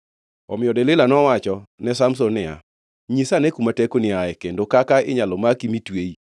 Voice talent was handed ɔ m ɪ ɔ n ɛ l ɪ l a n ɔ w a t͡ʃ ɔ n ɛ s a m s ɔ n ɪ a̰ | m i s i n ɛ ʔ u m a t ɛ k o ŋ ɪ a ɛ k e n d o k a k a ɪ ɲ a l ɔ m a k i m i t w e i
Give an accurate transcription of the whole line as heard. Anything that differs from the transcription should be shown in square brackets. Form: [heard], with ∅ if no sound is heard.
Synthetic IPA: ɔ m ɪ ɔ [d] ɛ l ɪ l a n ɔ w a t͡ʃ ɔ n ɛ s a m s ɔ n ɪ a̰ | [ɲ] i s [a] n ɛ [k] u m a t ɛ k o [n] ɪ a ɛ k e n d o k a k a ɪ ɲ a l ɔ m a k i m i t w e i